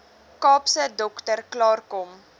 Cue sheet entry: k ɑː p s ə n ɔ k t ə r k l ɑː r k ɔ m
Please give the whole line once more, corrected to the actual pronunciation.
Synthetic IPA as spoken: k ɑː p s ə d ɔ k t ə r k l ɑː r k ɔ m